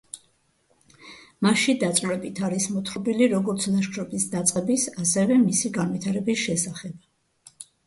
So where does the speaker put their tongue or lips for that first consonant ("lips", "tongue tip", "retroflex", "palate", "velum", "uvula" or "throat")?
lips